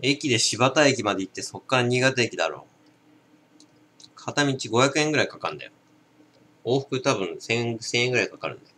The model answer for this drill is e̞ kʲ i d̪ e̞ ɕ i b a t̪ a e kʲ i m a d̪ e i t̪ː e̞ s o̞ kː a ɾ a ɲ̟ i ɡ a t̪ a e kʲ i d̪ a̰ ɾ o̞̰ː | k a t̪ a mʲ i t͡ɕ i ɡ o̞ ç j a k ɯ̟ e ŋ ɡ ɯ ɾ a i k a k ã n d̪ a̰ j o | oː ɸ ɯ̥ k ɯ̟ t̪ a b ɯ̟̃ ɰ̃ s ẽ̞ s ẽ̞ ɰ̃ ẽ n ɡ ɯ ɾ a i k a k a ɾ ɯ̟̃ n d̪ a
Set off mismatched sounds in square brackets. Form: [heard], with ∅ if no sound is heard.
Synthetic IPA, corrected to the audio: e̞ kʲ i d̪ e̞ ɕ i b a t̪ a e kʲ i m a d̪ e i t̪ː e̞ s o̞ kː a ɾ a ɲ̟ i ɡ a t̪ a e kʲ i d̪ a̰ ɾ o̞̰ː | [kʰ] a t̪ a mʲ i t͡ɕ i ɡ o̞ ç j a k ɯ̟ e ŋ ɡ ɯ ɾ a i k a k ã n d̪ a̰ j o | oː ɸ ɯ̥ k ɯ̟ t̪ a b ɯ̟̃ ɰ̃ s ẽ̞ s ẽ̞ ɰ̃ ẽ [ŋ] ɡ ɯ ɾ a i k a k a ɾ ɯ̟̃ n d̪ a